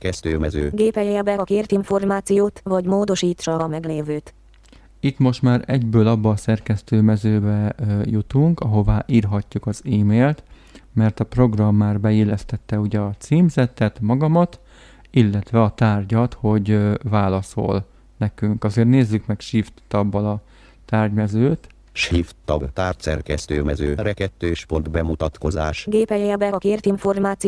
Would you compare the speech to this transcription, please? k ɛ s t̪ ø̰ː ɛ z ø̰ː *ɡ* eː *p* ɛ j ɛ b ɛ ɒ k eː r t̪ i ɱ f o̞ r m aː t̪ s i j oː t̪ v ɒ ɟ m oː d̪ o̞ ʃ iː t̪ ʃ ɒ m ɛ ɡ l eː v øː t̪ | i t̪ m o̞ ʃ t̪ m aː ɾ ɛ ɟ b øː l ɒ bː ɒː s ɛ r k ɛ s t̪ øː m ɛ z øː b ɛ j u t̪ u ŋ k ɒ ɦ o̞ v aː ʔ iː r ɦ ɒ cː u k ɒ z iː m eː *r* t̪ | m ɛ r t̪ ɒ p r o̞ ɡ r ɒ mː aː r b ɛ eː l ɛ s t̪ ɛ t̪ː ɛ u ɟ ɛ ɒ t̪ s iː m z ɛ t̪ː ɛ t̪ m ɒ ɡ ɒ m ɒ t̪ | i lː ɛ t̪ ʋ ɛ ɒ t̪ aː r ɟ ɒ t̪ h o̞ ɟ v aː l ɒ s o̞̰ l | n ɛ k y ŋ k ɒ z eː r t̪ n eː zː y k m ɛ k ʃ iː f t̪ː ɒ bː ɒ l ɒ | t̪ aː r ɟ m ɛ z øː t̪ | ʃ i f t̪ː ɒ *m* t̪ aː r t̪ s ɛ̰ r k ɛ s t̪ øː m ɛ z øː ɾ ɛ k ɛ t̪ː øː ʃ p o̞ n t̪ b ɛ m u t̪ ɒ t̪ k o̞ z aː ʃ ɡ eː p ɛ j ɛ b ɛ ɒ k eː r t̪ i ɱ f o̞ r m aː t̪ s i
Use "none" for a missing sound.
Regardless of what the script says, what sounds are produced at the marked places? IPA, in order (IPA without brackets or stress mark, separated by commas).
ɡ, p, l, b